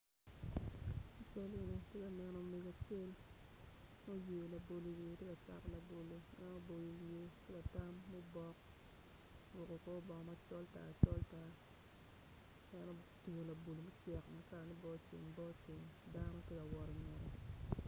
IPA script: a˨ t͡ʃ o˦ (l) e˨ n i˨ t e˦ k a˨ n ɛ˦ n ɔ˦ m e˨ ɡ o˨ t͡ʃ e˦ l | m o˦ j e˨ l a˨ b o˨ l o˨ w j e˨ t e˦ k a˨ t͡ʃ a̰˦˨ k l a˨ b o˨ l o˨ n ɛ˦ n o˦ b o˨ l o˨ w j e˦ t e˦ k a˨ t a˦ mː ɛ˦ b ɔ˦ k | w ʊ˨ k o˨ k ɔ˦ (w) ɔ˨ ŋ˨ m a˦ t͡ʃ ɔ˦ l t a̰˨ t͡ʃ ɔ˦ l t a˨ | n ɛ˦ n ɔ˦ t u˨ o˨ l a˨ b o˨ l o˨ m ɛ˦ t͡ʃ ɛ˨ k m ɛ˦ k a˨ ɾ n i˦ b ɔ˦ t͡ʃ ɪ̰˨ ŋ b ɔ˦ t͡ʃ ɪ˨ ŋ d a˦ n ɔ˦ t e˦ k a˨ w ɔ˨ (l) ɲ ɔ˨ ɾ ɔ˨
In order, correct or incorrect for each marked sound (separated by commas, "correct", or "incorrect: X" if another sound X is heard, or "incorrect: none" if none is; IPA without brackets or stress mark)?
correct, incorrect: b, incorrect: ɾ